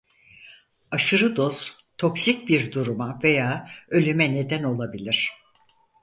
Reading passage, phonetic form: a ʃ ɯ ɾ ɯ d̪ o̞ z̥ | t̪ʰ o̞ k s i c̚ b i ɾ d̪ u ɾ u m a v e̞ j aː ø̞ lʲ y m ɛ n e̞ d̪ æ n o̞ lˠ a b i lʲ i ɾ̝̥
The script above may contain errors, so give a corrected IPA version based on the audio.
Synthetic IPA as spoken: a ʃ ɯ ɾ ɯ d̪ o̞ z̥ | t̪ʰ o̞ k s i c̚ b i ɾ d̪ u ɾ u m a v e̞ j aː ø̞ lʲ y m ɛ n e̞ d̪ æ n o̞ lˠ a b i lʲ i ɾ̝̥